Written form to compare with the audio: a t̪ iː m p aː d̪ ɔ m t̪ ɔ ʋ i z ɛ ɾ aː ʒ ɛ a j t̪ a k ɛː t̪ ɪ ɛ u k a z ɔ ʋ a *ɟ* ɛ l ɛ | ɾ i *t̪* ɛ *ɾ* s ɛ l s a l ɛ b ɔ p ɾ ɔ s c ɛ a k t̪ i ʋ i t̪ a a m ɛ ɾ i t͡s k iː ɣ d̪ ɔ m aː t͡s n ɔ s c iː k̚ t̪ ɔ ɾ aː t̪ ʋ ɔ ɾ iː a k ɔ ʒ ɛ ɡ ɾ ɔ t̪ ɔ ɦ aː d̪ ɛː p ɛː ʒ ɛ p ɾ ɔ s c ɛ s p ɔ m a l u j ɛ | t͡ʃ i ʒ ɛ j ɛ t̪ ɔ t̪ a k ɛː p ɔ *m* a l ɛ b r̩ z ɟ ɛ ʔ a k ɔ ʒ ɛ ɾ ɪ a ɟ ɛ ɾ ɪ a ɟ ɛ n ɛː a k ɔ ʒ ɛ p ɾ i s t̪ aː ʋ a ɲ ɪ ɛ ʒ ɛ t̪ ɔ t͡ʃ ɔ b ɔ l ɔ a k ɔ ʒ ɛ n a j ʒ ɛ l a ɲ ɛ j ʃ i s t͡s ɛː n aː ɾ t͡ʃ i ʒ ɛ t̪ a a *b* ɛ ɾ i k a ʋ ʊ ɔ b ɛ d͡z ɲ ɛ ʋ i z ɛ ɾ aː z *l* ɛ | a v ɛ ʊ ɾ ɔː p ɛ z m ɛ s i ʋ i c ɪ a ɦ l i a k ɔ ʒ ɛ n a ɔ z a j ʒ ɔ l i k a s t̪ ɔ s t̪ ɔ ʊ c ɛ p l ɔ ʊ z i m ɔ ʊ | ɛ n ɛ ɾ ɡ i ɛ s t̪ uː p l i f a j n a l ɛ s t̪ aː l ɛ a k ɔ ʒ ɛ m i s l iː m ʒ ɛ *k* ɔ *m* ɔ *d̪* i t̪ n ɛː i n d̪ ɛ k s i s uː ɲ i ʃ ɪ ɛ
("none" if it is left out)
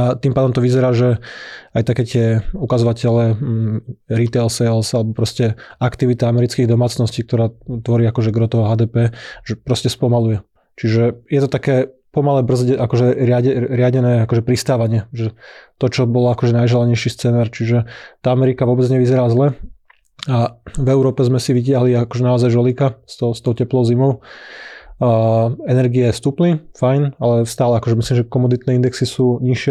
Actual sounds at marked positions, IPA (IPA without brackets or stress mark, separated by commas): c, t̪, l, m, m, l, k, m, d̪